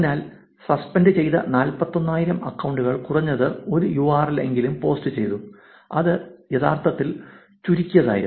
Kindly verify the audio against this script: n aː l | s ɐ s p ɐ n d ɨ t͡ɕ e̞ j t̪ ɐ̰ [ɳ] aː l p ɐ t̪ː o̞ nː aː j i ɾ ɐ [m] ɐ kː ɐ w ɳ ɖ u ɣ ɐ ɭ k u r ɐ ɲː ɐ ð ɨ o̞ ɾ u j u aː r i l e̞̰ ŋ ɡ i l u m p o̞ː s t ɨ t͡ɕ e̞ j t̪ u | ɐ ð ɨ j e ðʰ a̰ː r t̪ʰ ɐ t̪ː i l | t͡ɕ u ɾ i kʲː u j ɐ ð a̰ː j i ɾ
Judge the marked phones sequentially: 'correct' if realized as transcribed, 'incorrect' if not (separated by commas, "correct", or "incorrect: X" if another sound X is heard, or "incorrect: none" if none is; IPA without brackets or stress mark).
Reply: incorrect: n, correct